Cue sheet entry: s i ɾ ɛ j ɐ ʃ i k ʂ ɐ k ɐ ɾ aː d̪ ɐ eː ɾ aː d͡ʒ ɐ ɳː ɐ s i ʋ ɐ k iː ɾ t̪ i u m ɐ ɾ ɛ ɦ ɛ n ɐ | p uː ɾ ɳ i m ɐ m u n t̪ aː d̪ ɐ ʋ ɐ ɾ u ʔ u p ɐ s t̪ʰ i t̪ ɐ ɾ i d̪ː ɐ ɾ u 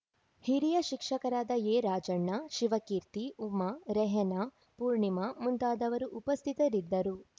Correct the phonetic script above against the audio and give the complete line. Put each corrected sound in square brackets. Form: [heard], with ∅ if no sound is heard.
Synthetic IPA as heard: [h] i ɾ [i] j ɐ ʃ i k ʂ ɐ k ɐ ɾ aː d̪ ɐ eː ɾ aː d͡ʒ ɐ ɳː ɐ [ʃ] i ʋ ɐ k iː ɾ t̪ i u m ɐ ɾ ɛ ɦ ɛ n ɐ | p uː ɾ ɳ i m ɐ m u n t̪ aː d̪ ɐ ʋ ɐ ɾ u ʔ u p ɐ s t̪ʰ i t̪ ɐ ɾ i d̪ː ɐ ɾ u

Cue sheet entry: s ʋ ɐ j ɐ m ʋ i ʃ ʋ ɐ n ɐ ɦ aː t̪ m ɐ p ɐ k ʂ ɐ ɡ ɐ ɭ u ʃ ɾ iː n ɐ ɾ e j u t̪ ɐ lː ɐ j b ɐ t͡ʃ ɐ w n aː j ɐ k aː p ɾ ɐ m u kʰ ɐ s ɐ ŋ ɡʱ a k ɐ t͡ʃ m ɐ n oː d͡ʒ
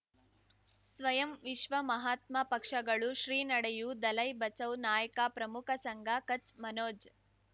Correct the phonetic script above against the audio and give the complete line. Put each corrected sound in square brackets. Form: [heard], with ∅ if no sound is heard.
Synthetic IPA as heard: s ʋ ɐ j ɐ m ʋ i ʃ ʋ ɐ [m] ɐ ɦ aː t̪ m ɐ p ɐ k ʂ ɐ ɡ ɐ ɭ u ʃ ɾ iː n ɐ [ɽ] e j u [d̪] ɐ [l] ɐ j b ɐ t͡ʃ ɐ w n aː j ɐ k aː p ɾ ɐ m u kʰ ɐ s ɐ ŋ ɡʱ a k ɐ t͡ʃ m ɐ n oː d͡ʒ

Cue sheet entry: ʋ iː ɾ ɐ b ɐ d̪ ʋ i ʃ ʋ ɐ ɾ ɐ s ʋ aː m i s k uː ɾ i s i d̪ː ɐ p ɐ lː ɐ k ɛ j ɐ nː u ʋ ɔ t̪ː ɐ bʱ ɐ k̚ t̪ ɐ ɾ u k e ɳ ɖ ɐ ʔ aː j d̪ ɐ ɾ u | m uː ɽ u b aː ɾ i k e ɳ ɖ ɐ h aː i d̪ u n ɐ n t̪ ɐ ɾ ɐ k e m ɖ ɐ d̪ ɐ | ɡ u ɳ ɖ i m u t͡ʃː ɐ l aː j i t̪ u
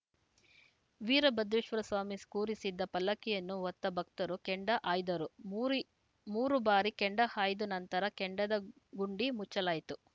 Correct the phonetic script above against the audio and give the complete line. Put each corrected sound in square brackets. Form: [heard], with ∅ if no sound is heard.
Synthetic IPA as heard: ʋ iː ɾ ɐ b ɐ d̪ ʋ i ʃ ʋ ɐ ɾ ɐ s ʋ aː m i s k uː ɾ i s i d̪ː ɐ p ɐ lː ɐ k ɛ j ɐ nː u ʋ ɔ t̪ː ɐ bʱ ɐ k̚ t̪ ɐ ɾ u k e ɳ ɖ ɐ ʔ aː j d̪ ɐ ɾ u | m uː [ɾ] u b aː ɾ i k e ɳ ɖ ɐ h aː [j] d̪ u n ɐ n t̪ ɐ ɾ ɐ k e [ɳ] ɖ ɐ d̪ ɐ | ɡ u ɳ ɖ i m u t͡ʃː ɐ l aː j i t̪ u

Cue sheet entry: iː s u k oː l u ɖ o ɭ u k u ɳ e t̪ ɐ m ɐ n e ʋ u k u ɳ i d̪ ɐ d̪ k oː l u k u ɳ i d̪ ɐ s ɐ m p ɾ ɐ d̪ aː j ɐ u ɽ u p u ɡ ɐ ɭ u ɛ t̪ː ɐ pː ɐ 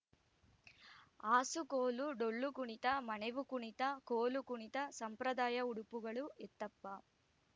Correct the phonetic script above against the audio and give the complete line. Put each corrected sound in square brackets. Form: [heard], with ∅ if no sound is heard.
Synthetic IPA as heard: [aː] s u k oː l u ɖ o [ɭː] u k u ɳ [i] t̪ ɐ m ɐ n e ʋ u k u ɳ i [t̪] ɐ [∅] k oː l u k u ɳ i [t̪] ɐ s ɐ m p ɾ ɐ d̪ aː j ɐ u ɽ u p u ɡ ɐ ɭ u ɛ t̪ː ɐ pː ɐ

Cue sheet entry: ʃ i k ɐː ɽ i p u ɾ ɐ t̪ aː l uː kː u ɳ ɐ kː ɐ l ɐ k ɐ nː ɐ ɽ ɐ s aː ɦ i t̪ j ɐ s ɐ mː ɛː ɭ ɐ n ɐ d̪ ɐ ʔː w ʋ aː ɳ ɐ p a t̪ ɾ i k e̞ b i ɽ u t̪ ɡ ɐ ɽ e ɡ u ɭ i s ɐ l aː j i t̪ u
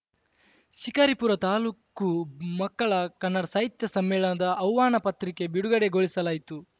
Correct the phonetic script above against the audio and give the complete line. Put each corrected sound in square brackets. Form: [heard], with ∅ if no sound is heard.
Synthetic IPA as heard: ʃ i k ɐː [ɾ] i p u ɾ ɐ t̪ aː l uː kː u [m] ɐ kː ɐ [ɭ] ɐ k ɐ nː ɐ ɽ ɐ s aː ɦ i t̪ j ɐ s ɐ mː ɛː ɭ ɐ n ɐ d̪ ɐ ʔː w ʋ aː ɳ ɐ p [ɐ] t̪ ɾ i k e̞ b i ɽ u [∅] ɡ ɐ ɽ e ɡ [o] ɭ i s ɐ l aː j i t̪ u

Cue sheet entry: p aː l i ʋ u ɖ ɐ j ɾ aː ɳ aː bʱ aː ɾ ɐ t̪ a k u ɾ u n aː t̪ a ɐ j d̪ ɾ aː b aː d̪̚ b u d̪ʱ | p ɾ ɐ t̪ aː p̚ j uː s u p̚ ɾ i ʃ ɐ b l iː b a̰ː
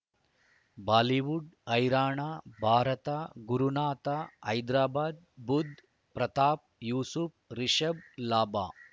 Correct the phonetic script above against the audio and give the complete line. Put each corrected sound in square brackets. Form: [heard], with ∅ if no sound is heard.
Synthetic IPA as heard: [b] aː l i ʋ u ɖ ɐ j ɾ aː ɳ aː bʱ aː ɾ ɐ t̪ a [ɡ] u ɾ u n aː t̪ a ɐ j d̪ ɾ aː b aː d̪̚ b u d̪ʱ | p ɾ ɐ t̪ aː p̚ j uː s u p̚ ɾ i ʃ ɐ b l [aː] b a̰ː

